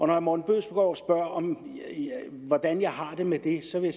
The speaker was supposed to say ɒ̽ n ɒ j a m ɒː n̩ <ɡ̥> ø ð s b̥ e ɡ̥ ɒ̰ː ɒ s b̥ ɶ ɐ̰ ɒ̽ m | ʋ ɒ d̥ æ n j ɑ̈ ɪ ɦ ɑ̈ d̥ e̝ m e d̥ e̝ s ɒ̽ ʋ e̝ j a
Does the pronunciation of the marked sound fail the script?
yes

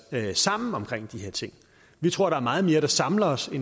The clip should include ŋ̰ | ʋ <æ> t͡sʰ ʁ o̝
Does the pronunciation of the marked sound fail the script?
yes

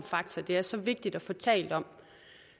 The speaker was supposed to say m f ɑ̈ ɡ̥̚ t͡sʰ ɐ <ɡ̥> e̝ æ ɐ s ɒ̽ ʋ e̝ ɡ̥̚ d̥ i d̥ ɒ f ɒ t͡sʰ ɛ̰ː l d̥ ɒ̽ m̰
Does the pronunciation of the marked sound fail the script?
yes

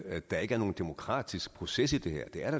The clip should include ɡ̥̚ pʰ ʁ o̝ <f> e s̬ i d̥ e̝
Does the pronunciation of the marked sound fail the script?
yes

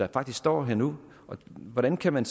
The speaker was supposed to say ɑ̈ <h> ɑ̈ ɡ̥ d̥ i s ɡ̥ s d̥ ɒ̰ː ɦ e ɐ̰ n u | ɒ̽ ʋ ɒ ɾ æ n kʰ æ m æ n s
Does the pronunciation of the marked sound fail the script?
yes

